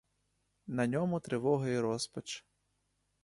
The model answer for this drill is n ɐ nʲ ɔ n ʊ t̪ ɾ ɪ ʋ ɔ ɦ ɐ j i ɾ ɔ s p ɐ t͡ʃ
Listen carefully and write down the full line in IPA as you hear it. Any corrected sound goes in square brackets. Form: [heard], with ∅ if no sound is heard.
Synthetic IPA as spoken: n ɐ nʲ ɔ [m] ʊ t̪ ɾ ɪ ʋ ɔ ɦ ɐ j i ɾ ɔ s p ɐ t͡ʃ